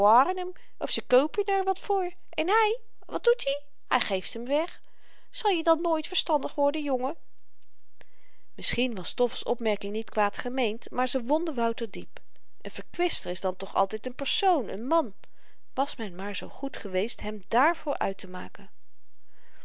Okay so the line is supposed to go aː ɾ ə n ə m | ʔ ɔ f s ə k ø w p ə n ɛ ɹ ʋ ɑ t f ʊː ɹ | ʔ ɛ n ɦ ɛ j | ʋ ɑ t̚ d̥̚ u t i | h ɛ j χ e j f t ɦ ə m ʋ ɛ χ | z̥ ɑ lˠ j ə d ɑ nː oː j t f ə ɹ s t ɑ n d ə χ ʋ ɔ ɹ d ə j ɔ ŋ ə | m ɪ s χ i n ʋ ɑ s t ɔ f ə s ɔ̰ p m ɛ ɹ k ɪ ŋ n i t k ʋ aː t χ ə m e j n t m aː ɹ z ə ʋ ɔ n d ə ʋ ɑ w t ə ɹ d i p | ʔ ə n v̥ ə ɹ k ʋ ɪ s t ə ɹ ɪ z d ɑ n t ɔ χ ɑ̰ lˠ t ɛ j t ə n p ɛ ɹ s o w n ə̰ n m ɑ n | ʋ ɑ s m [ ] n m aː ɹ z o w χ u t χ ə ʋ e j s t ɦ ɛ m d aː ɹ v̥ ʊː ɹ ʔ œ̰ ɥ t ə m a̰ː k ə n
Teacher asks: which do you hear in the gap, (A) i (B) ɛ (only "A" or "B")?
B